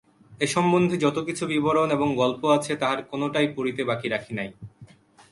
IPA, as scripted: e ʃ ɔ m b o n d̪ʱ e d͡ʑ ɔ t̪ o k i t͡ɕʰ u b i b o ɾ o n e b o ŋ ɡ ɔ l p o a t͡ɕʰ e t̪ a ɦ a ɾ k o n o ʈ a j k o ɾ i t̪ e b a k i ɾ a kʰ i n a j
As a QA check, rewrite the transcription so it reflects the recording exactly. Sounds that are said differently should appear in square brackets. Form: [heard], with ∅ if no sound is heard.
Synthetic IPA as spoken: e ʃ ɔ m b o n d̪ʱ e d͡ʑ ɔ t̪ o k i t͡ɕʰ u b i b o ɾ o n e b o ŋ ɡ ɔ l p o a t͡ɕʰ e t̪ a ɦ a ɾ k o n o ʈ a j [p] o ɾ i t̪ e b a k i ɾ a kʰ i n a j